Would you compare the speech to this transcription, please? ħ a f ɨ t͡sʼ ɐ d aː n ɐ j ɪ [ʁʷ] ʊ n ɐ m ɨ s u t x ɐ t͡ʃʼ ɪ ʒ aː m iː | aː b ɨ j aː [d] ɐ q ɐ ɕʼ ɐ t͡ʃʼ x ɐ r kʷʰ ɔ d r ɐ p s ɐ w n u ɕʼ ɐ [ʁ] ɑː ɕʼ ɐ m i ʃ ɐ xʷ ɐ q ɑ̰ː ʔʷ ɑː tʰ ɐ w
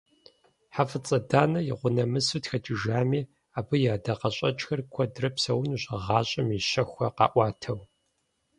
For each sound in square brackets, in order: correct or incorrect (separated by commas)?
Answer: correct, correct, correct